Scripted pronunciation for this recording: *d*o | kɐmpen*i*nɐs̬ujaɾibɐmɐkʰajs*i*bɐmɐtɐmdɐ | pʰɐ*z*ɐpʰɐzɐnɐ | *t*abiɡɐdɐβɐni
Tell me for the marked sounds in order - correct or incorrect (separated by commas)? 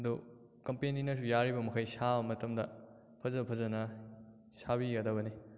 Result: correct, correct, incorrect, correct, incorrect